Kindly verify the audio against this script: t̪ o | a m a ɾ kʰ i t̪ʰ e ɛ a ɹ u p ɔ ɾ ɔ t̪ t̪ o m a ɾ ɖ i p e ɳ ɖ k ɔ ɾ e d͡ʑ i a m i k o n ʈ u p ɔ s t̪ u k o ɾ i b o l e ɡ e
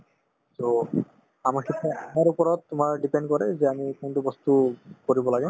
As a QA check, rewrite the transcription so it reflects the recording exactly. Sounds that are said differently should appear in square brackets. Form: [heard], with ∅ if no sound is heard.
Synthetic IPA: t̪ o | a m a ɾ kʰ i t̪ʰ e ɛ a [ɾ] u p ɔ ɾ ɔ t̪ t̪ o m a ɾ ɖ i p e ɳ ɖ k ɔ ɾ e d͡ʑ [e] a m i k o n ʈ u [b] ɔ s t̪ u k o ɾ i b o l [a] ɡ e